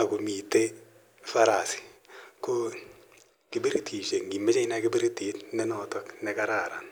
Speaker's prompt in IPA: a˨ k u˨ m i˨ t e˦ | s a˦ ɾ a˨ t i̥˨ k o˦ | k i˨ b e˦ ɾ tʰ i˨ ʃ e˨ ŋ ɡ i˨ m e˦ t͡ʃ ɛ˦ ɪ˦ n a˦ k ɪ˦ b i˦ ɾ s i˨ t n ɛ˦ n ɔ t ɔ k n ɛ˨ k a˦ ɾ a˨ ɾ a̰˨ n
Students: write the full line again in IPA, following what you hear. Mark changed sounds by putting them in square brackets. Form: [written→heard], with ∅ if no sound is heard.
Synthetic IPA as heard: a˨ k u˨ m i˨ t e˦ | [s→f] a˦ ɾ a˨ [t→s] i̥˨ k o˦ | k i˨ b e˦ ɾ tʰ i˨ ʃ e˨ ŋ ɡ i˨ m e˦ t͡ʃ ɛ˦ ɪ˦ n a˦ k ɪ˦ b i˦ ɾ [s→t] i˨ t n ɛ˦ n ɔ t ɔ k n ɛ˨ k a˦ ɾ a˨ ɾ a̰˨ n

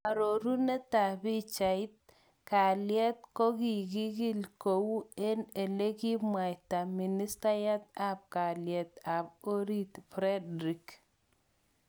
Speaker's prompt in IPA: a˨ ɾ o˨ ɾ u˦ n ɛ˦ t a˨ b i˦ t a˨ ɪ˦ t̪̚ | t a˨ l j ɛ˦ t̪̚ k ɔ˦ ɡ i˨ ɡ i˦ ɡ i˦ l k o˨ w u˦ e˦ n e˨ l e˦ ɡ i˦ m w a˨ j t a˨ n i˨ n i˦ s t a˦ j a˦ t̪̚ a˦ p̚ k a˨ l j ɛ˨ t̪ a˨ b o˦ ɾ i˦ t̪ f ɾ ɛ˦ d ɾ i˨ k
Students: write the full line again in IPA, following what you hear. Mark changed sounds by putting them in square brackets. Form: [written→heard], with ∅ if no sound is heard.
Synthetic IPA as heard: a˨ ɾ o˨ ɾ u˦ n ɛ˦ t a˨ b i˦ [t→t͡ʃ] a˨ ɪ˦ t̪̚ | [t→k] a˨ l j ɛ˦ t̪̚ k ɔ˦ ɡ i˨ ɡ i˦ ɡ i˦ l k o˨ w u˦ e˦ n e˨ l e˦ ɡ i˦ m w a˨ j t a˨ [n→m] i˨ n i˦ s t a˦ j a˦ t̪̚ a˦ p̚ k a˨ l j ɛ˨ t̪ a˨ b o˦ ɾ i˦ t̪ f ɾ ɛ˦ d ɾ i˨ k

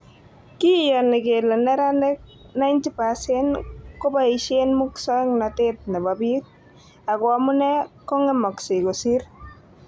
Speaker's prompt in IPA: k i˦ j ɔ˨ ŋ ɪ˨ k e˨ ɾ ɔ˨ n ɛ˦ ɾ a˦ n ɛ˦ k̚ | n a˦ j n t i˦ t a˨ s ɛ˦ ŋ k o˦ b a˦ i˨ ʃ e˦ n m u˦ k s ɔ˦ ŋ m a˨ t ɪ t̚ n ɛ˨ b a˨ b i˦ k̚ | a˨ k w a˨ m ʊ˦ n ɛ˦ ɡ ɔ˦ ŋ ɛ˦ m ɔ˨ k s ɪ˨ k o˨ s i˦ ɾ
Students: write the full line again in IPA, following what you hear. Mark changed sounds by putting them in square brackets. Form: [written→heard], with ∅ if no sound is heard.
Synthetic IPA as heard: k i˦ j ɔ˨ [ŋ→n] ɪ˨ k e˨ [ɾ→l] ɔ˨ n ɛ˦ ɾ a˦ n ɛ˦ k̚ | n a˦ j n t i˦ [t→p] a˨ s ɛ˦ [ŋ→n] k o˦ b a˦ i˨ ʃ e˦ n m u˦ k s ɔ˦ ŋ [m→n] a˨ t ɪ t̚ n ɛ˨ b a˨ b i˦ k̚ | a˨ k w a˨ m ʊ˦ n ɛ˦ [ɡ→k] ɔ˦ ŋ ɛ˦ m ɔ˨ k s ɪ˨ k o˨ s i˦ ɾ

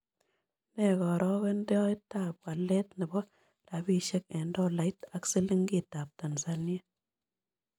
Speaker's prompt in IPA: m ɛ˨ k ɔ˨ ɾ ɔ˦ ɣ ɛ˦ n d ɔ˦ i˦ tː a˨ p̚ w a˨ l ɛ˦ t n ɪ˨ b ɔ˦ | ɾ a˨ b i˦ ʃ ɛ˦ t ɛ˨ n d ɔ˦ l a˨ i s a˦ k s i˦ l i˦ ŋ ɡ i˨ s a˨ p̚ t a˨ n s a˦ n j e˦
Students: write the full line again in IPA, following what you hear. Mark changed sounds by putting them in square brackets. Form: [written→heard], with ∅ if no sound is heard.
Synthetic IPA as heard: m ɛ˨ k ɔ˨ ɾ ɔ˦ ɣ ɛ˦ n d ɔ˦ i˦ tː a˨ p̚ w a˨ l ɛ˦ t n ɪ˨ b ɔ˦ | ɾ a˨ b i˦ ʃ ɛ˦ [t→k] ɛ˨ n d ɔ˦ l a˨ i [s→t] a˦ k s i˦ l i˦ ŋ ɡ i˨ [s→t] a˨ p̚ t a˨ n s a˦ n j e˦

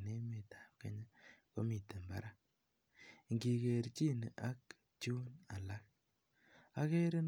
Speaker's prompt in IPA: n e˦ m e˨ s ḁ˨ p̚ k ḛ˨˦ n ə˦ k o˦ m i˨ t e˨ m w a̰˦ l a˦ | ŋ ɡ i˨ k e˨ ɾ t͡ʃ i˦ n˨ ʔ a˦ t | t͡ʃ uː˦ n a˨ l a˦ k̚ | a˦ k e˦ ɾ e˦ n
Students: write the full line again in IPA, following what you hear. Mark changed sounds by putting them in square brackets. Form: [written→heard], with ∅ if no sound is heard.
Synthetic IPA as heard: n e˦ m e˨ [s→t] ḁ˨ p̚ k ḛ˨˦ [n→ɲ] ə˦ k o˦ m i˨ t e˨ m [w→b] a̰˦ [l→ɾ] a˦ | ŋ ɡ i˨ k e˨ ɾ t͡ʃ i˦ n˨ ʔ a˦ [t→k] | t͡ʃ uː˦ n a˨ l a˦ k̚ | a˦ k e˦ ɾ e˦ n

